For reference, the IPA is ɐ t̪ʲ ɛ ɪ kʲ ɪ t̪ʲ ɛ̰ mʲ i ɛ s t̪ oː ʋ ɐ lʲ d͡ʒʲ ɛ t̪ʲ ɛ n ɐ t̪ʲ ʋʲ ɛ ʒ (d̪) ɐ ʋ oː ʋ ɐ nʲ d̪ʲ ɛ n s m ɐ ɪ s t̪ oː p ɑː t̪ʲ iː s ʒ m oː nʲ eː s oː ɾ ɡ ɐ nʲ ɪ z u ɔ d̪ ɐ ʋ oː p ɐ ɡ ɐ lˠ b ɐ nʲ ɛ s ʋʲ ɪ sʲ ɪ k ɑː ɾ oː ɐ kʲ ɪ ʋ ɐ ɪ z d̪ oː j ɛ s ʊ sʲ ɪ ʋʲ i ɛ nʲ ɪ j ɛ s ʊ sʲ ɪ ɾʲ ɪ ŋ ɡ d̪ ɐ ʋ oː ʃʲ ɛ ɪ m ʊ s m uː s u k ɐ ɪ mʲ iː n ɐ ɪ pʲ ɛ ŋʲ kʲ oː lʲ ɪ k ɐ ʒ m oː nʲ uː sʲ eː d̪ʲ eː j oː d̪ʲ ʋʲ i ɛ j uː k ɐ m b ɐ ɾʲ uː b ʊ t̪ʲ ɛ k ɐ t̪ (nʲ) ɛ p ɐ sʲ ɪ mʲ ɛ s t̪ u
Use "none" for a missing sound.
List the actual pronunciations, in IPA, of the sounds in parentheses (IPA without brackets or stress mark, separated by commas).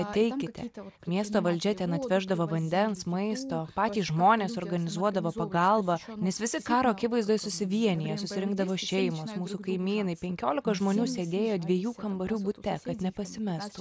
d̪, nʲ